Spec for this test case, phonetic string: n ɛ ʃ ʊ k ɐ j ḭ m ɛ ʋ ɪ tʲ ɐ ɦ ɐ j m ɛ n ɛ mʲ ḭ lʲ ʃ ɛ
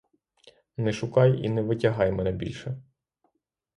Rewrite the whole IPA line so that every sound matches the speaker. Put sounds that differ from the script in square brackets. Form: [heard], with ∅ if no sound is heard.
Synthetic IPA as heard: n ɛ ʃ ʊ k [ɑ] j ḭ [n] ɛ ʋ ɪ tʲ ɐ ɦ [ɑ] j m ɛ n ɛ [bʲ] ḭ lʲ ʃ ɛ

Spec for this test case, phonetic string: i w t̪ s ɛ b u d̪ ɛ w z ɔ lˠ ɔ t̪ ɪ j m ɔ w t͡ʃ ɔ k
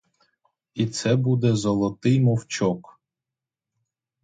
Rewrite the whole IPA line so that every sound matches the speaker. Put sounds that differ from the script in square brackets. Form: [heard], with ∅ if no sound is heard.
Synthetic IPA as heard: i [∅] t̪ s ɛ b u d̪ ɛ [∅] z ɔ lˠ ɔ t̪ ɪ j m ɔ w t͡ʃ ɔ k

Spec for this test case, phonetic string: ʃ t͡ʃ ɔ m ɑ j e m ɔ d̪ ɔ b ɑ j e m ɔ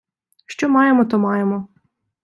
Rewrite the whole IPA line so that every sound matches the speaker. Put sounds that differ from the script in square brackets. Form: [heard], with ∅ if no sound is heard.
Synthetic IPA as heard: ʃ t͡ʃ ɔ m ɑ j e m ɔ [t̪] ɔ [m] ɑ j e m ɔ

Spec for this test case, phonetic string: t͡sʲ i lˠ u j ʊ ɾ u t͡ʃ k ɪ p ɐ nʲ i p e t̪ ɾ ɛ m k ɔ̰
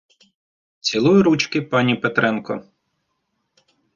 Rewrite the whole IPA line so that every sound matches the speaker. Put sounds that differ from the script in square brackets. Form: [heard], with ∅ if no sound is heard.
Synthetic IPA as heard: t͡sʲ i lˠ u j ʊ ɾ u t͡ʃ k ɪ p [ɑ] nʲ i p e t̪ ɾ ɛ [n] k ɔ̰

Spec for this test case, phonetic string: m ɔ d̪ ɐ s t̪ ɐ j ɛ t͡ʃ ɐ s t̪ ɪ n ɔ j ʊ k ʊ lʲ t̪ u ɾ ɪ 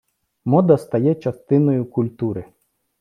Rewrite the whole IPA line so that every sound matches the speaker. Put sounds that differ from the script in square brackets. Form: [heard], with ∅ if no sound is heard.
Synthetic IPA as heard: m ɔ d̪ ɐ s t̪ ɐ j ɛ t͡ʃ ɐ s t̪ ɪ n ɔ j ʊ k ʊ lʲ t̪ u ɾ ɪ

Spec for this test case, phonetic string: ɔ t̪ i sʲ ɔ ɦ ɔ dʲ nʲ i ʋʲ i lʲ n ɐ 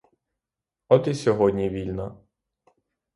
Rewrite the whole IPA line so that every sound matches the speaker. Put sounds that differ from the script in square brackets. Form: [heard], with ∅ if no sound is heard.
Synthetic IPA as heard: ɔ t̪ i sʲ ɔ ɦ ɔ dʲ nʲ i ʋʲ i lʲ n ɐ

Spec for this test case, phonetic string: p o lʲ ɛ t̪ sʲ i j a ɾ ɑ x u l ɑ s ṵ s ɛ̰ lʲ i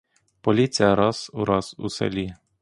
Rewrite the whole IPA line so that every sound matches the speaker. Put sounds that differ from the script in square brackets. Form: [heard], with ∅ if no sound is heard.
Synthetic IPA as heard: p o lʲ [i] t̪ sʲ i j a ɾ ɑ [s] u [ɾ] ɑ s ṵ s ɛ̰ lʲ i

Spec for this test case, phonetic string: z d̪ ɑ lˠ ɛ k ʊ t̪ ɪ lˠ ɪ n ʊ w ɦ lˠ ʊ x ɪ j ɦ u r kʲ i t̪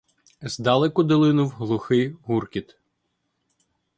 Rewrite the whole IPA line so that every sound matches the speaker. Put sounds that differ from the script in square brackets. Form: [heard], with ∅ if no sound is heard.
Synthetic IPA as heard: z d̪ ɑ lˠ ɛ k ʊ [d̪] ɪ lˠ ɪ n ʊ w ɦ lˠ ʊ x ɪ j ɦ u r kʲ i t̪

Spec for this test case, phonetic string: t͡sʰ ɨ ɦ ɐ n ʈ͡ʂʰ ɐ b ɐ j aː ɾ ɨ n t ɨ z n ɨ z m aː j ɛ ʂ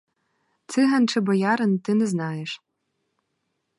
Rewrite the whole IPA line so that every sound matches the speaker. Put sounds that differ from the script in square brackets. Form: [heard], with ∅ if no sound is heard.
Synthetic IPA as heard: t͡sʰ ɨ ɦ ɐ n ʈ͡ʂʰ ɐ b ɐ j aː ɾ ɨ n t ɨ [∅] n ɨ z [n] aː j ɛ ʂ

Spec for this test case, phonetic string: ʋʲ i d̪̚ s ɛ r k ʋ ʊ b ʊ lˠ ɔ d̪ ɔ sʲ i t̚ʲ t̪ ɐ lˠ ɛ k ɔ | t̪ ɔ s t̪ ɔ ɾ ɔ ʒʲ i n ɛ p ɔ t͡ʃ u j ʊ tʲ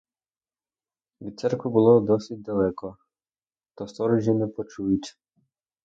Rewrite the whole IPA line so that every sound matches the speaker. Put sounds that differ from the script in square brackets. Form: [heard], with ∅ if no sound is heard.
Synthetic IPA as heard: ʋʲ i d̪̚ s ɛ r k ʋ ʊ b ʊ lˠ ɔ d̪ ɔ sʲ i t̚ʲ [d̪] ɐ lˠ ɛ k ɔ | t̪ ɔ s t̪ ɔ ɾ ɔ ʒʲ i n ɛ p ɔ t͡ʃ u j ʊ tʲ

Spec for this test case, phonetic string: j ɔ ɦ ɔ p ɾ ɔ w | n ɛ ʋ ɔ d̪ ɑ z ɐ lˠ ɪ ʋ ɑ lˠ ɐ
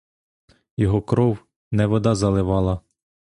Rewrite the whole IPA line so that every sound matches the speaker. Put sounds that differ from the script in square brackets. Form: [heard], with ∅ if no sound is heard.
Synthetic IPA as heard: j ɔ ɦ ɔ [k] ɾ ɔ w | n ɛ ʋ ɔ d̪ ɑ z ɐ lˠ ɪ ʋ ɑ lˠ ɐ

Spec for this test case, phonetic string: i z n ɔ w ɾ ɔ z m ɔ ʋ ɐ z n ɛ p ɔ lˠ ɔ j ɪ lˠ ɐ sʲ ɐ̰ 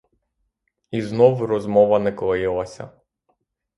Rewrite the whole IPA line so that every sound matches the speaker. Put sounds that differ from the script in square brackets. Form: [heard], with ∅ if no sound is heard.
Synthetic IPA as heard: i z n ɔ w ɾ ɔ z m ɔ ʋ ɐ [∅] n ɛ [k] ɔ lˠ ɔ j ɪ lˠ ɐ sʲ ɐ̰

